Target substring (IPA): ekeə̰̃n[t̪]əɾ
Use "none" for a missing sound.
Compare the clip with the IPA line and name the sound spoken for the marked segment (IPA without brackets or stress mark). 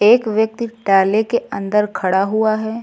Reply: d̪